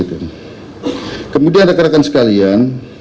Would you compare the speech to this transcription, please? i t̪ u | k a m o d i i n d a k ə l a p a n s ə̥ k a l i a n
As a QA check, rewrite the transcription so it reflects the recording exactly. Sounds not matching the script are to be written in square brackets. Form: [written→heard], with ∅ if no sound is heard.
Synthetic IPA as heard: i t̪ u | k [a→ə] m [o→u] d i [i→a] n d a k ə [l→ɾ] a [p→k] a n s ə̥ k a l i a n